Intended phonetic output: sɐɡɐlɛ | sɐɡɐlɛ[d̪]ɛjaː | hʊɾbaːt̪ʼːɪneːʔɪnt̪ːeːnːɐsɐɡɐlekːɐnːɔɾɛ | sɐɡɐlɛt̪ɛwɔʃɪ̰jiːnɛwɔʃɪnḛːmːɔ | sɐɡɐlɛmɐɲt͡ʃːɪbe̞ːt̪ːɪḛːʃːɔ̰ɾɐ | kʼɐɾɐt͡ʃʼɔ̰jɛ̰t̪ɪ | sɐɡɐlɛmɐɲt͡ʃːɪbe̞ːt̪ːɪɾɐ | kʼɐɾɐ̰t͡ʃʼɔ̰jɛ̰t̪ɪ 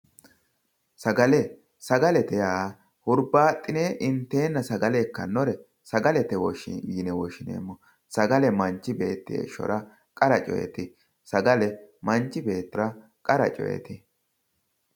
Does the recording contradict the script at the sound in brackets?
yes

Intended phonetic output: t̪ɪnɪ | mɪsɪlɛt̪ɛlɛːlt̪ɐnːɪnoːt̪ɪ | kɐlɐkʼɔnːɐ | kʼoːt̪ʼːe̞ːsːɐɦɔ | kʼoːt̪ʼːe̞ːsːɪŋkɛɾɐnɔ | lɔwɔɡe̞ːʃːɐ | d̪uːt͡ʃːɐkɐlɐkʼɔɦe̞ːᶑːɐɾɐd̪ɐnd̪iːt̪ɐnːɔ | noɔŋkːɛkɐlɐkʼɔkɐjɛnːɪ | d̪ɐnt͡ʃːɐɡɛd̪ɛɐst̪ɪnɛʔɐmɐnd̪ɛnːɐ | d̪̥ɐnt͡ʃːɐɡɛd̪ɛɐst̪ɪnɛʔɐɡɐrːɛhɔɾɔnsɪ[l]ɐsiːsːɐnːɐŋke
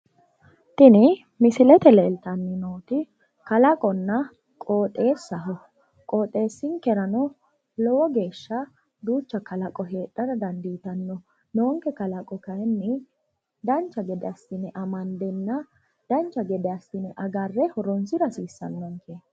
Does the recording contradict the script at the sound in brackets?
yes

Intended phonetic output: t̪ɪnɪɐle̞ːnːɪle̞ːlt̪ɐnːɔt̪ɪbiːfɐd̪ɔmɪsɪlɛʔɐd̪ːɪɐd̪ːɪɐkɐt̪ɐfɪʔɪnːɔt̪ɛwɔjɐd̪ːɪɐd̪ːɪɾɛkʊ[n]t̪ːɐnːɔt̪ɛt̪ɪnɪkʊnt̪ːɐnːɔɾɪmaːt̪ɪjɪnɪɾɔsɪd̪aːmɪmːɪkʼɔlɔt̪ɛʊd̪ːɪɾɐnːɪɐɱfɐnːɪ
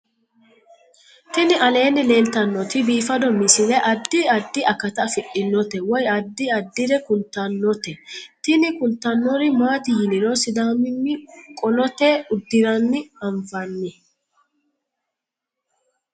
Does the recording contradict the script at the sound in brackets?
no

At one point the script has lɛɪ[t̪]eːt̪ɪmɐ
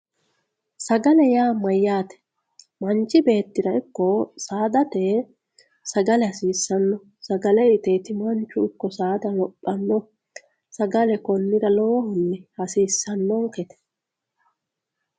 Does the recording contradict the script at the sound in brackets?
no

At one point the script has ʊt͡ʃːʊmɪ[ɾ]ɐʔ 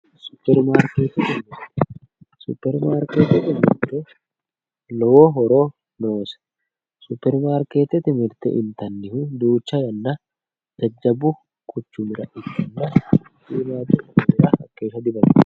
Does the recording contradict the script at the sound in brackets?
no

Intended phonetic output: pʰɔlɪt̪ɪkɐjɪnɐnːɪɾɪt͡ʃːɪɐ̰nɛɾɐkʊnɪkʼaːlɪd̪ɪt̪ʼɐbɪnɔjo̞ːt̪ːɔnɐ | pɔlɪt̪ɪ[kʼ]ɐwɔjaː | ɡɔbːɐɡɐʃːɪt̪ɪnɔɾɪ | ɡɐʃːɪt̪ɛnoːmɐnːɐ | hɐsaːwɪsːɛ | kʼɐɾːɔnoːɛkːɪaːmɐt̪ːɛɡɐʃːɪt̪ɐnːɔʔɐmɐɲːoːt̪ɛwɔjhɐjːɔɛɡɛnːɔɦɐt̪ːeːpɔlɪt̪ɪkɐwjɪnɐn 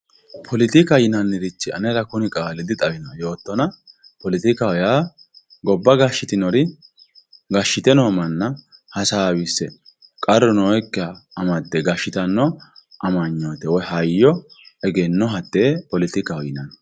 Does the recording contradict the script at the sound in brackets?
yes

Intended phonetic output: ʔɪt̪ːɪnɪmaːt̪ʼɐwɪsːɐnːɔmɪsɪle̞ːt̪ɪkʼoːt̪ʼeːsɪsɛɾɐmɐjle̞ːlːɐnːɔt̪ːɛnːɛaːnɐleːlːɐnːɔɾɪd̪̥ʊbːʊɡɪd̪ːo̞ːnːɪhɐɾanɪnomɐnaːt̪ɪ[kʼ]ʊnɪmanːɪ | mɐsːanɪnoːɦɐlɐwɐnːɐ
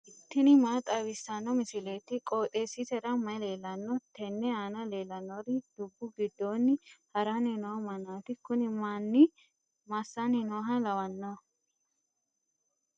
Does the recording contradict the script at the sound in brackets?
yes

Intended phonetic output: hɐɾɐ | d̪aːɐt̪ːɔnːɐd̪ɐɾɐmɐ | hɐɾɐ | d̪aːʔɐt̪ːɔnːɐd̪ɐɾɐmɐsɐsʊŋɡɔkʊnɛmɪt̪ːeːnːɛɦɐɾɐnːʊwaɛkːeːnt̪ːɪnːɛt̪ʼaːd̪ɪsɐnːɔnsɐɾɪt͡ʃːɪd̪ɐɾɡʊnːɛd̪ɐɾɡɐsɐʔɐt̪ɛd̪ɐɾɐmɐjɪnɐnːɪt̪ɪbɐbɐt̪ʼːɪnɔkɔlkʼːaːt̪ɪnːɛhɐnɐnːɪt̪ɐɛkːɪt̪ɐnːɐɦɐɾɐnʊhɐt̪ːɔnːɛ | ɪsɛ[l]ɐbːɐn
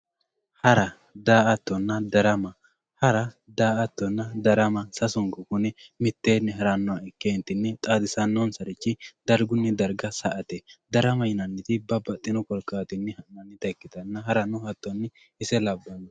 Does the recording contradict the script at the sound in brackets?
no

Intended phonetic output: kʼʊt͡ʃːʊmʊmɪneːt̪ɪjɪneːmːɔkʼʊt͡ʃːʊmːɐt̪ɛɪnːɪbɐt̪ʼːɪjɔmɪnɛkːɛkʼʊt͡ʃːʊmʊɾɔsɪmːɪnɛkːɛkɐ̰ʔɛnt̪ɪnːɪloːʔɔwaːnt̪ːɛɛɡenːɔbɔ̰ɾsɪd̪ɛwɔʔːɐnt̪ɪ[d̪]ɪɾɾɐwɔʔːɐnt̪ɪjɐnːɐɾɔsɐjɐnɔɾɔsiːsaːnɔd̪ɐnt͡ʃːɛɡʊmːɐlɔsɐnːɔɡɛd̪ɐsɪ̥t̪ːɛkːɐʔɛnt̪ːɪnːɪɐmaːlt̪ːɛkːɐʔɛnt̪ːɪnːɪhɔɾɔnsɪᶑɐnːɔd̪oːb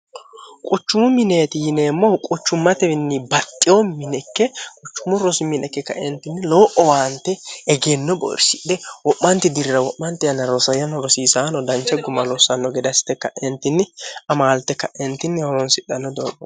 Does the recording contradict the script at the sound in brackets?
no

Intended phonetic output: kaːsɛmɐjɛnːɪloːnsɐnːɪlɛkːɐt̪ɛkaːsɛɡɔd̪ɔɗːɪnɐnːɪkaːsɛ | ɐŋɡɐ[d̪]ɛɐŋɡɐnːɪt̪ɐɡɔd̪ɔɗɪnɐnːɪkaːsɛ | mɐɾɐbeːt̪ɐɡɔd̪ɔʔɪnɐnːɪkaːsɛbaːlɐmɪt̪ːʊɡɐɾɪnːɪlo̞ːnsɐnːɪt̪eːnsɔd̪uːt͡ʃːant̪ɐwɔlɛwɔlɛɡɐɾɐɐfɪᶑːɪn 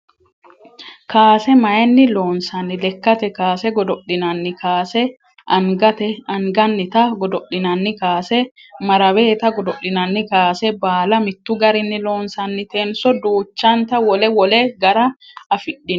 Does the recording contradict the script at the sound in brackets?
yes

